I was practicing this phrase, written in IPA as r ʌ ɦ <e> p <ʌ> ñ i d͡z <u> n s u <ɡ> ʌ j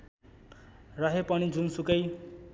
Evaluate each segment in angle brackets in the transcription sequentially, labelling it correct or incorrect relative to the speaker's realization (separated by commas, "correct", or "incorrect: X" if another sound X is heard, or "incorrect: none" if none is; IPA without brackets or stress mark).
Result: correct, correct, correct, incorrect: k